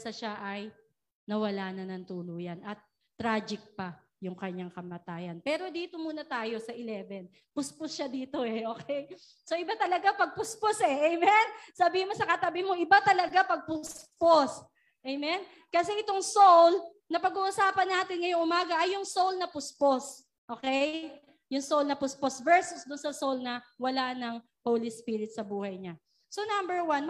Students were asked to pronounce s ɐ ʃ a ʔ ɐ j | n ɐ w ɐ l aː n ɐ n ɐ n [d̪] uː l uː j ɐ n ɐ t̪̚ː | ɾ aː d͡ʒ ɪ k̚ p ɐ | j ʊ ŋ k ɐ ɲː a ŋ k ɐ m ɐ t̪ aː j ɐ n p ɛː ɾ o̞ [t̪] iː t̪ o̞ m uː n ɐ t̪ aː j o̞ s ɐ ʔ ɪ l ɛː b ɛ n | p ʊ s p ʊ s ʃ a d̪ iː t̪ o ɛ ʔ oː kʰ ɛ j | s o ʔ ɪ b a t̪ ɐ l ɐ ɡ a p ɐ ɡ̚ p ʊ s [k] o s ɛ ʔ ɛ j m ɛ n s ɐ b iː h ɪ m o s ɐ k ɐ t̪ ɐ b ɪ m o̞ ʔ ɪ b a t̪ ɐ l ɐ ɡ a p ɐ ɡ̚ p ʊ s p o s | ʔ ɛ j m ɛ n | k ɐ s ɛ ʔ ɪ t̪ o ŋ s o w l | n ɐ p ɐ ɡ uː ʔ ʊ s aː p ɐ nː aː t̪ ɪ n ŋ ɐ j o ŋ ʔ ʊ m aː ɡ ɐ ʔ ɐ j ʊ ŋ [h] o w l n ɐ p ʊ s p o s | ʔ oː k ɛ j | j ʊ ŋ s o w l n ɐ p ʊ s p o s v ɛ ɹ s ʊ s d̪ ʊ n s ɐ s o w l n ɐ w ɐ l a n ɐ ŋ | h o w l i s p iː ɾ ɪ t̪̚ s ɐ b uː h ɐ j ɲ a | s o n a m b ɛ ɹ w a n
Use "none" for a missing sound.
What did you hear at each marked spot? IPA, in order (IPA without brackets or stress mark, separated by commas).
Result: t̪, d̪, p, s